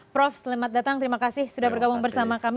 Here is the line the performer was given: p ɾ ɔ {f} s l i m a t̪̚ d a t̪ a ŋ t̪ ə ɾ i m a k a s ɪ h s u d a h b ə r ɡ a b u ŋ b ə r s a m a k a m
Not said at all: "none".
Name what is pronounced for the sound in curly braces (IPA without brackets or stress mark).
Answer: f